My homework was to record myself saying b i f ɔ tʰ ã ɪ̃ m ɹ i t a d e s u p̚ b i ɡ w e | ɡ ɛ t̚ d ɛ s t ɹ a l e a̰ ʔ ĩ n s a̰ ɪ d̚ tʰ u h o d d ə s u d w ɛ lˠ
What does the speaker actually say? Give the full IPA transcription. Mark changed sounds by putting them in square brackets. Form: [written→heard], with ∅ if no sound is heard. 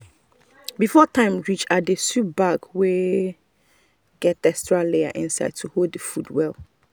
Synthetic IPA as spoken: b i f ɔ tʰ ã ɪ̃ m ɹ i [t→t͡ʃ] a d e s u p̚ b [i→a] ɡ w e | ɡ ɛ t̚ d ɛ s t ɹ a l e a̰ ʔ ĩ n s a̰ ɪ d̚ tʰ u h o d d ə [s→f] u d w ɛ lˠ